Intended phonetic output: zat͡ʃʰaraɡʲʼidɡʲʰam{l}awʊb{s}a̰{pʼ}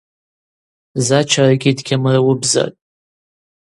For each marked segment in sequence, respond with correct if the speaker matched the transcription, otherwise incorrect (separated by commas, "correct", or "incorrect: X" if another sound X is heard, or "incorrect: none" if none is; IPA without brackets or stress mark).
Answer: incorrect: r, incorrect: z, incorrect: tʼ